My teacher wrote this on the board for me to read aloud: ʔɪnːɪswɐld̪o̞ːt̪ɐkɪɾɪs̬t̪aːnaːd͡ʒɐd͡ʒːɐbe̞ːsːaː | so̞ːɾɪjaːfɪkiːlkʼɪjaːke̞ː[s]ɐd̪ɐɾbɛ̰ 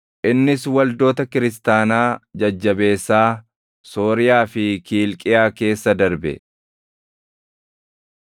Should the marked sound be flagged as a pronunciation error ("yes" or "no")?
yes